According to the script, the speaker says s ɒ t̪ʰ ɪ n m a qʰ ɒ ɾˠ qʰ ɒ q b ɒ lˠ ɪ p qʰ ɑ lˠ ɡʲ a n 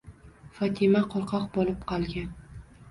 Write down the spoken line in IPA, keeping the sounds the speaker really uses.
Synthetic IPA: f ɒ t̪ʰ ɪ m a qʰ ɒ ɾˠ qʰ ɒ q b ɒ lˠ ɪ p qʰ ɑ lˠ ɡʲ a n